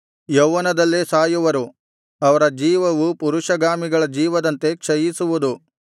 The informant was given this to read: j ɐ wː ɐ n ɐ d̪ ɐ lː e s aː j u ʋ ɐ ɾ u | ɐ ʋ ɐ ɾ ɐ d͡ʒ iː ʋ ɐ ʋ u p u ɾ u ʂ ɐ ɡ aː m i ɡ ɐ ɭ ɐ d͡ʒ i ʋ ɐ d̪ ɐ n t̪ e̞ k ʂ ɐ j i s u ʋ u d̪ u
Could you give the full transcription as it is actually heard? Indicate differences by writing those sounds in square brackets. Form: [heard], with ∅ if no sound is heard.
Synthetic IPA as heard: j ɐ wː ɐ n ɐ d̪ ɐ lː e s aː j u ʋ ɐ ɾ u | ɐ ʋ ɐ ɾ ɐ d͡ʒ iː ʋ ɐ ʋ u p u ɾ u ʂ ɐ ɡ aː m i ɡ ɐ ɭ ɐ d͡ʒ [iː] ʋ ɐ d̪ ɐ n t̪ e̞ k ʂ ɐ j i s u ʋ u d̪ u